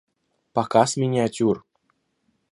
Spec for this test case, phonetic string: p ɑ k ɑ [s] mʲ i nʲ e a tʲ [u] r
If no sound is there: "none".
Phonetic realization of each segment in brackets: s, u

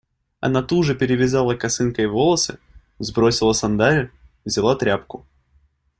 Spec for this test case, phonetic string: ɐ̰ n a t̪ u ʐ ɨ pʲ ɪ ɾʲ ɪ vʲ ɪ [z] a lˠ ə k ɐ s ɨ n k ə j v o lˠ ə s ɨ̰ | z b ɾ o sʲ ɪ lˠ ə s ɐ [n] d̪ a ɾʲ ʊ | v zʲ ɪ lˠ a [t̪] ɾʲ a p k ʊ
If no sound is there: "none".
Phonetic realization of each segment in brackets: z, n, t̪

